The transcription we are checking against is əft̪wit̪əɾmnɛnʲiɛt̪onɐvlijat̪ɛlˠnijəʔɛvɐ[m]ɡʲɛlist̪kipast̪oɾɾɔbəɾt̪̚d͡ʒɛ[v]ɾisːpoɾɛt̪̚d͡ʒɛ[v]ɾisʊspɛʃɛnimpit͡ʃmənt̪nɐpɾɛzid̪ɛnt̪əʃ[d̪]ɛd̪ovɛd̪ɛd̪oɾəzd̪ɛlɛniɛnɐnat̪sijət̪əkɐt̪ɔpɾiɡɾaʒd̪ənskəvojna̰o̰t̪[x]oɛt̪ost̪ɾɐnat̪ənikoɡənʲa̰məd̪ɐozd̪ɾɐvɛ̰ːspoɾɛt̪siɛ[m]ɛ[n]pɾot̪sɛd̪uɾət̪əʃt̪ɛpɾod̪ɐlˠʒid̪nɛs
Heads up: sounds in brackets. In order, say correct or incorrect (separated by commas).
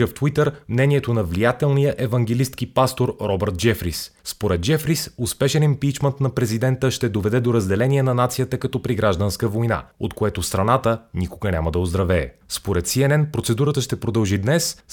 incorrect, incorrect, incorrect, incorrect, incorrect, incorrect, correct